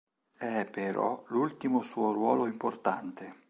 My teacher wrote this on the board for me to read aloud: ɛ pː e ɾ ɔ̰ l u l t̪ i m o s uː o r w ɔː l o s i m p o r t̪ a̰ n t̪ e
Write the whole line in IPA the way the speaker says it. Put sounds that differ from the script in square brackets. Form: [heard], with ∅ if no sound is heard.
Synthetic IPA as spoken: ɛ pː e ɾ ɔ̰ l u l t̪ i m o s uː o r w ɔː l o [∅] i m p o r t̪ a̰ n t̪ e